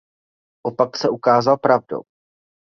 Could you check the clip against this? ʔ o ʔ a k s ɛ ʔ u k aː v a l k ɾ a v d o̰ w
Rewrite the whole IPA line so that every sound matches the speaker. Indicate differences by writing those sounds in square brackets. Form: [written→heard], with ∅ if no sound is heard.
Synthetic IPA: ʔ o [ʔ→p] a k s ɛ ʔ u k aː [v→z] a l [k→p] ɾ a v d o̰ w